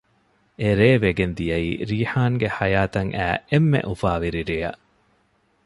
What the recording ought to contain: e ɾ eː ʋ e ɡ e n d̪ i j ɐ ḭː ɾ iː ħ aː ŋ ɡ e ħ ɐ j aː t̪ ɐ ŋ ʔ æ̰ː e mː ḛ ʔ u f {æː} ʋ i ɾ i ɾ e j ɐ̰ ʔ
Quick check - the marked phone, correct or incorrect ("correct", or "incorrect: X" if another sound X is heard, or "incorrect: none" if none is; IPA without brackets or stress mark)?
incorrect: aː